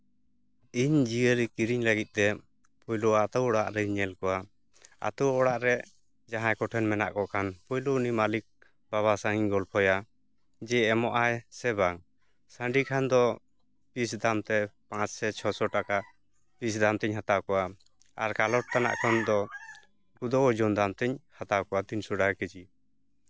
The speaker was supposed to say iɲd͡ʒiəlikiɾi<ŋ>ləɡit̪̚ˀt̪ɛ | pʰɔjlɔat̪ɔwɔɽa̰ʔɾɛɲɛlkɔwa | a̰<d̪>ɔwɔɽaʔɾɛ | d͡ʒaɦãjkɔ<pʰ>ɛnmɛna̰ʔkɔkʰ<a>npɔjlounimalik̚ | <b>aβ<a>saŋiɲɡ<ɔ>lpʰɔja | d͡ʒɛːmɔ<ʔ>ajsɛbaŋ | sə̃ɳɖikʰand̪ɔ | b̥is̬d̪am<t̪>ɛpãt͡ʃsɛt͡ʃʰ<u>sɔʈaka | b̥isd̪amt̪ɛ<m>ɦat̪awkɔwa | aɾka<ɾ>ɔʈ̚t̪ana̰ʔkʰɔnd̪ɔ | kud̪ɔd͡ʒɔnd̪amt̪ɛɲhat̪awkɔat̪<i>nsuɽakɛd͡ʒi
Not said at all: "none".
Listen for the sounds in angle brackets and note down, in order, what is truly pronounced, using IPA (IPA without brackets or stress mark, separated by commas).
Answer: ɲ, t̪, ʈʰ, a, b, a, ɔ, ʔ, t̪, ɔ, ɲ, l, i